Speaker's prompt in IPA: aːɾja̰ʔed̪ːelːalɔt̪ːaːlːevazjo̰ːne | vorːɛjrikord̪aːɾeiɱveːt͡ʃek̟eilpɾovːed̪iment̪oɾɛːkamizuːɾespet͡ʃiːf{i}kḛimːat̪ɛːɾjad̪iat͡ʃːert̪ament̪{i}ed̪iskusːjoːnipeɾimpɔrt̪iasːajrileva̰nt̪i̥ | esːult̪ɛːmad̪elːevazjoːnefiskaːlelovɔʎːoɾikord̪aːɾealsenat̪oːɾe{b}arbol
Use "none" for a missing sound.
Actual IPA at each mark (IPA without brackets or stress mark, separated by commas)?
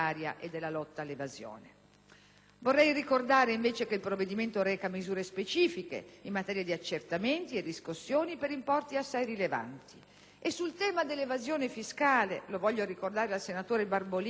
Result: i, i, b